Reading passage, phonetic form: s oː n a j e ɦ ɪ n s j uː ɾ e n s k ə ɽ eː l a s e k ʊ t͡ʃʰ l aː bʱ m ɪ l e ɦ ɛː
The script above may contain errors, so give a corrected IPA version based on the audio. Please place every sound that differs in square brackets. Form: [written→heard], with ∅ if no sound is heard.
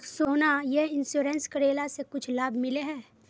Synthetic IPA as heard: s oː n a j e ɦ ɪ n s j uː ɾ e n s k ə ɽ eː l a s e k ʊ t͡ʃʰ l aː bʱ m ɪ l e ɦ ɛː